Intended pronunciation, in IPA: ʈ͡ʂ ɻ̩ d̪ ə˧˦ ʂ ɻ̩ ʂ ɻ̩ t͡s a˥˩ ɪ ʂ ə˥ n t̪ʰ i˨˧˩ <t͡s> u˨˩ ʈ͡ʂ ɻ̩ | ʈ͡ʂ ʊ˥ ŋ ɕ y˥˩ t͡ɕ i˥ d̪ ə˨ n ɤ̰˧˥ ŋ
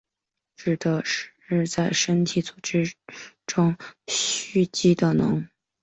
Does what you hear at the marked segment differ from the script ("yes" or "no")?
no